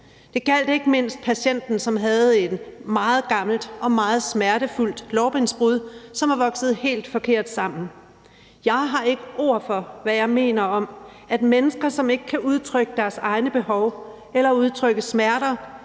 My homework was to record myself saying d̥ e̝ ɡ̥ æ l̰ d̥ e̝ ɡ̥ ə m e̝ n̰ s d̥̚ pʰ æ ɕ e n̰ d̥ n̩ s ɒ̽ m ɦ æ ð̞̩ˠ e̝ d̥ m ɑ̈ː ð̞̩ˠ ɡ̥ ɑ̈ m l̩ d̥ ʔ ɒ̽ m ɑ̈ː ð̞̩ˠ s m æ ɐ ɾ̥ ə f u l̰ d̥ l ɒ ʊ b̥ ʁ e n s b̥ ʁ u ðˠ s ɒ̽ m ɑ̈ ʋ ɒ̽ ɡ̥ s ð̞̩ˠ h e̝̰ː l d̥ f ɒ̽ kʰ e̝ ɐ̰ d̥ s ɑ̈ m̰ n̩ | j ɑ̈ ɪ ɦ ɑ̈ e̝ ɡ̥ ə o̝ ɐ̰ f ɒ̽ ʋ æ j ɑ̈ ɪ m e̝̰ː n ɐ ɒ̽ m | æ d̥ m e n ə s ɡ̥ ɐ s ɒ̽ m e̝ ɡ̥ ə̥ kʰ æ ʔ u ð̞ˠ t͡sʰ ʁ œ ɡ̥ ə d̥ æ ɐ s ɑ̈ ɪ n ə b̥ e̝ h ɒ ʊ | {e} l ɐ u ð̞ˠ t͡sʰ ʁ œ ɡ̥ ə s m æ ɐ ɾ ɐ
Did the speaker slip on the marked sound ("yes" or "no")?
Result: no